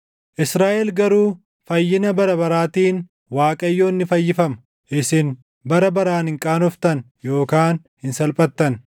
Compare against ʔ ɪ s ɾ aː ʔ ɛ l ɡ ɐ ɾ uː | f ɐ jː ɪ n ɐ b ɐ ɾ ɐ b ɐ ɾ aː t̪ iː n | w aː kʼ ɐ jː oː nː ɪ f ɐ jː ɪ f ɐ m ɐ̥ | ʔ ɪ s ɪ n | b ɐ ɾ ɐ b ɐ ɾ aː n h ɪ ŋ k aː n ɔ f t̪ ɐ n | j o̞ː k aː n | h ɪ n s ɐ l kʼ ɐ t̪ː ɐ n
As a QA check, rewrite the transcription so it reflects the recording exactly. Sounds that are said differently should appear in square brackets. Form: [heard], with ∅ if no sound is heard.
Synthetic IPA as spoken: ʔ ɪ s ɾ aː ʔ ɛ l ɡ ɐ ɾ uː | f ɐ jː ɪ n ɐ b ɐ ɾ ɐ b ɐ ɾ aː t̪ iː n | w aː kʼ ɐ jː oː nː ɪ f ɐ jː ɪ f ɐ m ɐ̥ | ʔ ɪ s ɪ n | b ɐ ɾ ɐ b ɐ ɾ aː n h ɪ ŋ [kʼ] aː n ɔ f t̪ ɐ n | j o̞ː k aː n | h ɪ n s ɐ l [pʼ] ɐ t̪ː ɐ n